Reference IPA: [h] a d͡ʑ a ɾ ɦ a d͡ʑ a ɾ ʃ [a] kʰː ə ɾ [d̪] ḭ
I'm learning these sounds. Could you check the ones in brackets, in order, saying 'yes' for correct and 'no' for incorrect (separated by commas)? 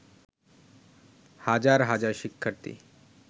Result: yes, no, no